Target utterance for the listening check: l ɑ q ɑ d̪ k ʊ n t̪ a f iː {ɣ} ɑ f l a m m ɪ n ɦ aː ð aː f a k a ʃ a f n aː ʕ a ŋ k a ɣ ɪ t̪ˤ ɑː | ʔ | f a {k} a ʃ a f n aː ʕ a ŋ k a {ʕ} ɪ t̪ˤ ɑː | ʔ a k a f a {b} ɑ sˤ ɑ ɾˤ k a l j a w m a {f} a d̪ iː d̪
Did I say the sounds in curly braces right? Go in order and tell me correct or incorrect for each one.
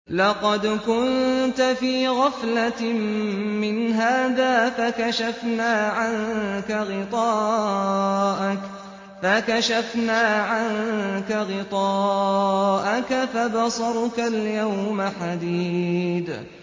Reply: correct, correct, incorrect: ɣ, correct, incorrect: ħ

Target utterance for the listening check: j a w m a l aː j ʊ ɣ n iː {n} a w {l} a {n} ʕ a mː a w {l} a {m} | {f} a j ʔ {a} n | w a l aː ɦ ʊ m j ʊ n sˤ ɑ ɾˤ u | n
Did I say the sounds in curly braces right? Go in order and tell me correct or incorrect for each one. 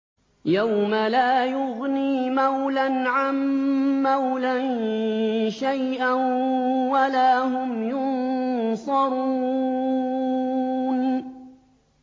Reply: incorrect: m, correct, correct, correct, incorrect: n, incorrect: ʃ, correct

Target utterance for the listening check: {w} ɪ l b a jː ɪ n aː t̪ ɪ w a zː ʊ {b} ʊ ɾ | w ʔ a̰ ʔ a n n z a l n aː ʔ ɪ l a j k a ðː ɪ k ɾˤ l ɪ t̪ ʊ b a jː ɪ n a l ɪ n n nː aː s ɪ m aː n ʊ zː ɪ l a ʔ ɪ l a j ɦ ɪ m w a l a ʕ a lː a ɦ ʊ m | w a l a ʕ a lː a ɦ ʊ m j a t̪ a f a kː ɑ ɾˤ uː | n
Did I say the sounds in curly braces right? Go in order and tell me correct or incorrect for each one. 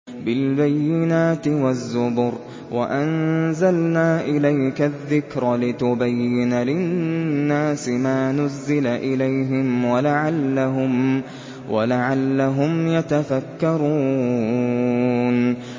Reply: incorrect: b, correct

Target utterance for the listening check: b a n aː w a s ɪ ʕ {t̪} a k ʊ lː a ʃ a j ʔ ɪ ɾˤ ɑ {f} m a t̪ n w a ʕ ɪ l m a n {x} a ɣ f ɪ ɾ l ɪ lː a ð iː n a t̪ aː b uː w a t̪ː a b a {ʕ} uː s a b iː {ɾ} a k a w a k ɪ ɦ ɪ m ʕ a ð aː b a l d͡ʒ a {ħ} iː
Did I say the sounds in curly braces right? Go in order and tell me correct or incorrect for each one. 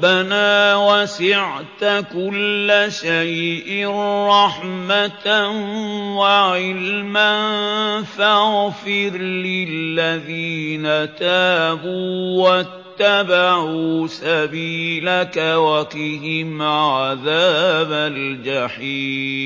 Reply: correct, incorrect: ħ, incorrect: f, correct, incorrect: l, correct

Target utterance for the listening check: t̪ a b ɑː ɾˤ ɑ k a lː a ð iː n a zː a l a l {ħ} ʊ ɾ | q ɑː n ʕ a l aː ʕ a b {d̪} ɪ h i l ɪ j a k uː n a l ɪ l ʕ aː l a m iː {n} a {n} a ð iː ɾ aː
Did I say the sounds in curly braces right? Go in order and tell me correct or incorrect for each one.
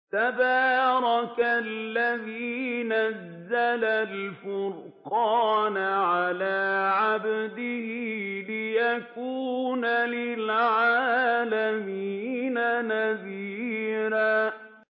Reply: incorrect: f, correct, correct, correct

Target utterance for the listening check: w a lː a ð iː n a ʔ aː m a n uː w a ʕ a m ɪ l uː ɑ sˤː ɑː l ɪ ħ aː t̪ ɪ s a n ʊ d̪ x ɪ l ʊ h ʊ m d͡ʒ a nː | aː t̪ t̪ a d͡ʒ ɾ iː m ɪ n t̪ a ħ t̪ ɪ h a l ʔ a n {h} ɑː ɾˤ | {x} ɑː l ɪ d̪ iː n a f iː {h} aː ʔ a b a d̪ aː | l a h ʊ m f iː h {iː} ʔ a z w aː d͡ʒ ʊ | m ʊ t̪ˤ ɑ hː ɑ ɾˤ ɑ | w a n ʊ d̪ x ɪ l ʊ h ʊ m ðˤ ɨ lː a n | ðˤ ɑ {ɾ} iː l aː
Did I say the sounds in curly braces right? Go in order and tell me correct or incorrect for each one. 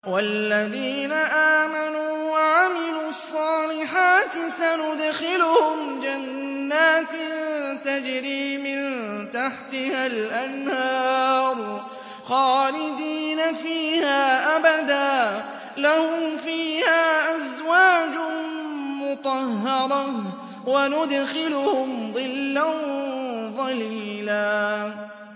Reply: correct, correct, correct, incorrect: aː, incorrect: l

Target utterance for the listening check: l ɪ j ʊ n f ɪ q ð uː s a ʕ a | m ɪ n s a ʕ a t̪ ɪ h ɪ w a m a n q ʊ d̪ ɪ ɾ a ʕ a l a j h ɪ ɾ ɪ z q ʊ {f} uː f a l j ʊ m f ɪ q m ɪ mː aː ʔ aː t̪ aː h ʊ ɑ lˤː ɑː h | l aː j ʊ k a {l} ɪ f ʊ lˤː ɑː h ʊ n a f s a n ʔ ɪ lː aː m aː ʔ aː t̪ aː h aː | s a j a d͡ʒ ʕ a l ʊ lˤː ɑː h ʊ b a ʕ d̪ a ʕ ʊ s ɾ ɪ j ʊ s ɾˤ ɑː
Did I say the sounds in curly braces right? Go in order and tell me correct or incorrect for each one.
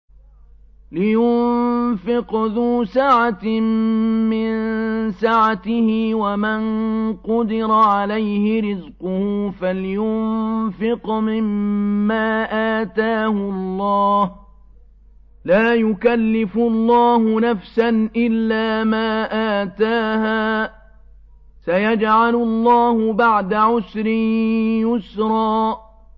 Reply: incorrect: h, incorrect: lː

